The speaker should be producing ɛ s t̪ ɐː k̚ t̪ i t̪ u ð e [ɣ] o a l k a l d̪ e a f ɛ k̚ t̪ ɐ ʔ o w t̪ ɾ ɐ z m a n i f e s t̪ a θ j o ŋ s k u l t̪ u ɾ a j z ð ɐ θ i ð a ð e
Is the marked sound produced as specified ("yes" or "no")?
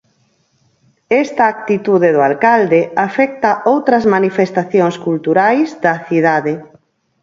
no